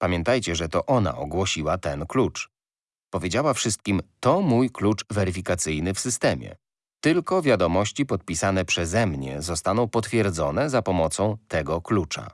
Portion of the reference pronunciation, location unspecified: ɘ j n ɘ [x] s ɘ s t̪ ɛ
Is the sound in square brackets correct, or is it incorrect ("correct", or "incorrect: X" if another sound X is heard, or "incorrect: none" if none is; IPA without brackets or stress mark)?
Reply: incorrect: f